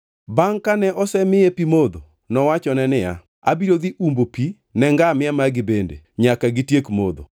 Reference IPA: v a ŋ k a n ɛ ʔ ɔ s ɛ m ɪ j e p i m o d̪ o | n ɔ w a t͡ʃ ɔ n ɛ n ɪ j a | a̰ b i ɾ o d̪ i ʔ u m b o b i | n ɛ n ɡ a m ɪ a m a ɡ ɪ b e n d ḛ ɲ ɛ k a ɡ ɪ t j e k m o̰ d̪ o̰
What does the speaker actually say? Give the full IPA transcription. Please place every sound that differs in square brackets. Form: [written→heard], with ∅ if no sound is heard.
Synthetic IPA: [v→b] a ŋ k a n ɛ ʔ ɔ s ɛ m ɪ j e p i m o d̪ o | n ɔ w a t͡ʃ ɔ n ɛ n ɪ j a | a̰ b i ɾ o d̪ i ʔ u m b o [b→p] i | n ɛ [n→ŋ] ɡ a m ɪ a m a ɡ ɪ b e n d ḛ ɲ [ɛ→a] k a ɡ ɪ t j e k m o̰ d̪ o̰